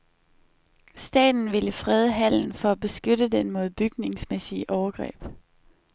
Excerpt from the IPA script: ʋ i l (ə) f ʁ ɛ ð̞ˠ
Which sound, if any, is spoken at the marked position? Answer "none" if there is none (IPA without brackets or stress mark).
ə